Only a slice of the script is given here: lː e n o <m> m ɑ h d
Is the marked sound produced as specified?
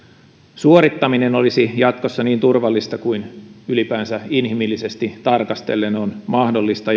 no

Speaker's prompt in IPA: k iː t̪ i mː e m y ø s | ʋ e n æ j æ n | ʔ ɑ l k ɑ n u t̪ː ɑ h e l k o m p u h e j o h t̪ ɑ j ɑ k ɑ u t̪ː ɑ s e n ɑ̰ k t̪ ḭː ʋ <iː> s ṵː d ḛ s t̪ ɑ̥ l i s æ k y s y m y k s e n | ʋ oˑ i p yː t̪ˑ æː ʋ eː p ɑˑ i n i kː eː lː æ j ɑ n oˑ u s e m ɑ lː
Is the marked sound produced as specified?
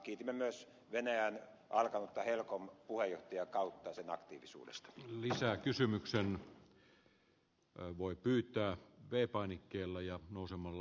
no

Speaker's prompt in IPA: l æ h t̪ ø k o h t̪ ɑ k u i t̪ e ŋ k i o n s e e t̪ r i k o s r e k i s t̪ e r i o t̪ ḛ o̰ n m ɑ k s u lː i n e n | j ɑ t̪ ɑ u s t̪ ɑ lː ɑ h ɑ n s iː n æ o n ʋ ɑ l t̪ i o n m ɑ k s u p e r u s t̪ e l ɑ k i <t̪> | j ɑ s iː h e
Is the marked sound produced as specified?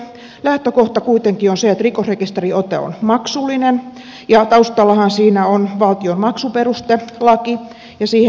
no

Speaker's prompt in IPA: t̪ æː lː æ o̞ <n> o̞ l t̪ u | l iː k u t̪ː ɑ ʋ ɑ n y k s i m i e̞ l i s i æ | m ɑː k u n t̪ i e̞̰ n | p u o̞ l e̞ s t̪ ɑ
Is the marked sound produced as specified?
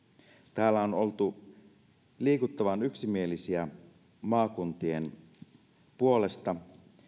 yes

